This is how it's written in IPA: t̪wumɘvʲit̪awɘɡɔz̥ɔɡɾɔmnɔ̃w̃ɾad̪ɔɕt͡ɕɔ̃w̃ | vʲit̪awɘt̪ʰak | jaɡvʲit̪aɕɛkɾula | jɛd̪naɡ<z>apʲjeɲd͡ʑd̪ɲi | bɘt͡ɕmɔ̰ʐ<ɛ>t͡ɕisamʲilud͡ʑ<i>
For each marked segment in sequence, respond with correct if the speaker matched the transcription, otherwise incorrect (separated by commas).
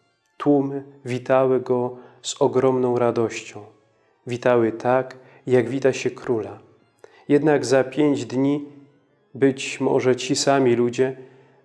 correct, correct, incorrect